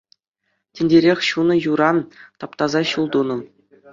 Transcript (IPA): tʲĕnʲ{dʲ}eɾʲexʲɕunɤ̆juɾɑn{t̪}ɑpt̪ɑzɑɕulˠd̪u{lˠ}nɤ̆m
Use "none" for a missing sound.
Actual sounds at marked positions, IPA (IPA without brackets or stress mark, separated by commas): dʲ, t̪, none